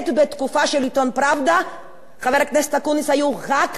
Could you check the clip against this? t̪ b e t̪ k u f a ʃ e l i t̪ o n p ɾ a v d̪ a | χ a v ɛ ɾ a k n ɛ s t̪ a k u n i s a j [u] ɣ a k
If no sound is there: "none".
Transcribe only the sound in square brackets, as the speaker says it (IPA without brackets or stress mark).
u